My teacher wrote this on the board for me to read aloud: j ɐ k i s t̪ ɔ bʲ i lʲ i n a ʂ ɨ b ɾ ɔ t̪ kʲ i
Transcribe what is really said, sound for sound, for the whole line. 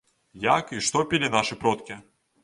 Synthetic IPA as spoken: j a k i ʂ t̪ ɔ pʲ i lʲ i n a ʂ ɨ p ɾ ɔ t̪ kʲ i